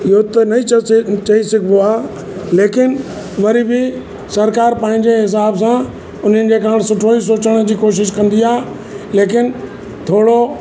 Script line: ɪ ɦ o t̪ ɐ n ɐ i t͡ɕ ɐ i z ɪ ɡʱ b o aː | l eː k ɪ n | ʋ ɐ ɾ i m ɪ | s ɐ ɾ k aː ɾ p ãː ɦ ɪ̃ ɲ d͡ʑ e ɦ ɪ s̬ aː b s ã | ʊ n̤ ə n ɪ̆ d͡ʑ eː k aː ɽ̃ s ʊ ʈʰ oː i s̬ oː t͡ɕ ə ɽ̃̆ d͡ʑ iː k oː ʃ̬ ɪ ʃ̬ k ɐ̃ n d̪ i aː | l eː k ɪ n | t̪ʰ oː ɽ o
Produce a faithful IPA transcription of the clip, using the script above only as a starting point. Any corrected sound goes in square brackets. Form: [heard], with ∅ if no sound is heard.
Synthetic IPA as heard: ɪ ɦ o t̪ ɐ n ɐ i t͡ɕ ɐ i [s] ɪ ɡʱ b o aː | l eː k ɪ n | ʋ ɐ ɾ i [b] ɪ | s ɐ ɾ k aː ɾ p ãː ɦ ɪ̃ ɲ d͡ʑ e ɦ ɪ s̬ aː b s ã | ʊ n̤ ə n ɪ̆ d͡ʑ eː k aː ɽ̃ s ʊ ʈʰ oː i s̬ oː t͡ɕ ə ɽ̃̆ d͡ʑ iː k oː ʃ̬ ɪ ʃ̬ k ɐ̃ n d̪ i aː | l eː k ɪ n | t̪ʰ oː ɽ o

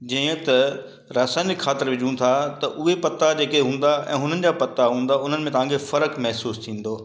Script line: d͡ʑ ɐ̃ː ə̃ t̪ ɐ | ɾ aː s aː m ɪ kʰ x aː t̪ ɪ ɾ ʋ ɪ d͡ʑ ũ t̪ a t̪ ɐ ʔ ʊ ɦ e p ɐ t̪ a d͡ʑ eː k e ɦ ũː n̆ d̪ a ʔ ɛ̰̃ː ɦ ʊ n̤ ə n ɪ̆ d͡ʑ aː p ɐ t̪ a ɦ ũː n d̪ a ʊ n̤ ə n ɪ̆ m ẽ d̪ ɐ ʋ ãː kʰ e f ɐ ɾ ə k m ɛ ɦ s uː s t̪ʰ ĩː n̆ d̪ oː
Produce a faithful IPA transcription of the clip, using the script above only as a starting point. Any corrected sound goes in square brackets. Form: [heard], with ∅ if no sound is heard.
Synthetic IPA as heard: d͡ʑ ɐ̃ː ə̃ t̪ ɐ | ɾ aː s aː [n] ɪ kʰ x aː t̪ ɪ ɾ ʋ ɪ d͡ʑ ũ [t̪ʰ] a t̪ ɐ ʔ ʊ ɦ e p ɐ t̪ a d͡ʑ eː k e ɦ ũː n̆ d̪ a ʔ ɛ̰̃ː ɦ ʊ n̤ ə n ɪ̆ d͡ʑ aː p ɐ t̪ a ɦ ũː n d̪ a ʊ n̤ ə n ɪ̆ m ẽ [t̪] ɐ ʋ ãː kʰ e f ɐ ɾ ə k m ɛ ɦ s uː s t̪ʰ ĩː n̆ d̪ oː

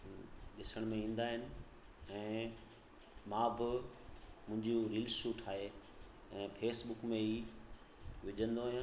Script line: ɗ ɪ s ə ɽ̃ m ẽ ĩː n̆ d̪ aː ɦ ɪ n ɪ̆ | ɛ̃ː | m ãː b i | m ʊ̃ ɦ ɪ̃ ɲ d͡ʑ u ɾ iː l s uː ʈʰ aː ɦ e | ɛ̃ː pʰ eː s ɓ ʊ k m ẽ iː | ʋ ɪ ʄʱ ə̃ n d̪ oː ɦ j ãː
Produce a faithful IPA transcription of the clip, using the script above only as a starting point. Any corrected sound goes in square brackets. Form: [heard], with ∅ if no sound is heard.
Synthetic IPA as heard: ɗ ɪ s ə ɽ̃ m ẽ ĩː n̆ d̪ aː ɦ ɪ n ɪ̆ | ɛ̃ː | m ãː b [ɪ] | m ʊ̃ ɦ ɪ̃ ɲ d͡ʑ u ɾ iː l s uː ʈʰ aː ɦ e | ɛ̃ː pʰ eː s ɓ ʊ k m ẽ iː | ʋ ɪ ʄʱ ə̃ n d̪ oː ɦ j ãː

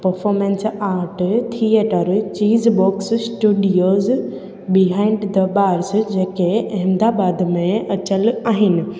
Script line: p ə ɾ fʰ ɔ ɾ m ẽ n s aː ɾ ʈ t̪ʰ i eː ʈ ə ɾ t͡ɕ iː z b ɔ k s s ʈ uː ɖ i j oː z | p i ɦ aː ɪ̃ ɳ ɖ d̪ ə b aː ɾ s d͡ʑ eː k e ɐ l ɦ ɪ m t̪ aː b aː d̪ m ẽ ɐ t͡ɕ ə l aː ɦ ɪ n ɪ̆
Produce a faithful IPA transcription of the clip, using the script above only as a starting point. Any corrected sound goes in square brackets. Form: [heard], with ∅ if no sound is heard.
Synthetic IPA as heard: p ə ɾ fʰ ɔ ɾ m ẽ n s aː ɾ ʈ t̪ʰ i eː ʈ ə ɾ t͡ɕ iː z b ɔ k s s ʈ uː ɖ i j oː z | [b] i ɦ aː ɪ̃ ɳ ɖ d̪ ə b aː ɾ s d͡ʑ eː k e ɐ [∅] ɦ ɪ m [d̪] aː b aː d̪ m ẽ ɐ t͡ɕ ə l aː ɦ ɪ n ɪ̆

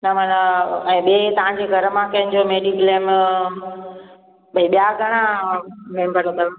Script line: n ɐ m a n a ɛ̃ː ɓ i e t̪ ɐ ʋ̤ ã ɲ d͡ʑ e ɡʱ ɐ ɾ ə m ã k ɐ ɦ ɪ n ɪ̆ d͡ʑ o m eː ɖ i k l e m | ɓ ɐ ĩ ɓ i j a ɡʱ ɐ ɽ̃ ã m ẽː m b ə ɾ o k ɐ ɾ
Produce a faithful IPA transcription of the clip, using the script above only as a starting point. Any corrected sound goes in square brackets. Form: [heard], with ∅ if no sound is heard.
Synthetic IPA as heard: n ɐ m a n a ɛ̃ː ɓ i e t̪ ɐ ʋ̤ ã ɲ d͡ʑ e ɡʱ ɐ ɾ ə m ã k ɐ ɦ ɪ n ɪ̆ d͡ʑ o m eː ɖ i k l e m | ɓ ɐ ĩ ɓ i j a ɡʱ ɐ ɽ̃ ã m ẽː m b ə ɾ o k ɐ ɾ

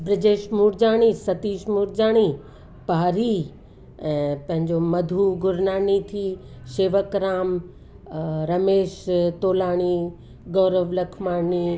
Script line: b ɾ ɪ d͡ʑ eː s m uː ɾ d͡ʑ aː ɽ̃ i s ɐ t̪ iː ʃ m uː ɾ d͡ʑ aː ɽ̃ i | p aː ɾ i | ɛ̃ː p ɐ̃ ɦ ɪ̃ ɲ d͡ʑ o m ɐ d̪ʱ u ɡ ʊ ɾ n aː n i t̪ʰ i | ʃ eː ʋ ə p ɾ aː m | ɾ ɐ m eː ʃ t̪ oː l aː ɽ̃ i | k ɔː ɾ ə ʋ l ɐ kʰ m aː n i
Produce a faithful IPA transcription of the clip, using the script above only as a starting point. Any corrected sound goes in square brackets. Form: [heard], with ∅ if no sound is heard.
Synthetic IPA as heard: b ɾ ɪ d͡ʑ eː [ʃ] m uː ɾ d͡ʑ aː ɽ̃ i s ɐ t̪ iː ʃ m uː ɾ d͡ʑ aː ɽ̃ i | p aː ɾ i | ɛ̃ː p ɐ̃ ɦ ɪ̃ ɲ d͡ʑ o m ɐ d̪ʱ u ɡ ʊ ɾ n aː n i t̪ʰ i | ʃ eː ʋ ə [k] ɾ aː m | ɾ ɐ m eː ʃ t̪ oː l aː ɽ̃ i | [ɡ] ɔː ɾ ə ʋ l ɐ kʰ m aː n i

